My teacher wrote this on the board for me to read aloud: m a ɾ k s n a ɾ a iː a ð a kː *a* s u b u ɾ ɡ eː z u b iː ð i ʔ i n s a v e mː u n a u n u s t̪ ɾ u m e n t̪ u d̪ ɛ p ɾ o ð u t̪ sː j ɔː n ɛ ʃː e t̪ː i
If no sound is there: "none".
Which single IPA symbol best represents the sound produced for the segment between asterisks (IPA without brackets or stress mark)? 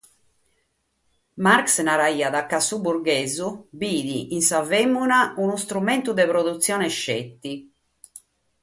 a